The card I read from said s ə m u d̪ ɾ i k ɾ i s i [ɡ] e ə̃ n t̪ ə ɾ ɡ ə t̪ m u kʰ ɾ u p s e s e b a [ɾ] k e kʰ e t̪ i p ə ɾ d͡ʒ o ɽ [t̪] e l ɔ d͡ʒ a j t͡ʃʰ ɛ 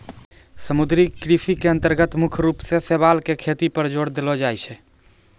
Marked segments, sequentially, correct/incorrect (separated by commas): incorrect, incorrect, incorrect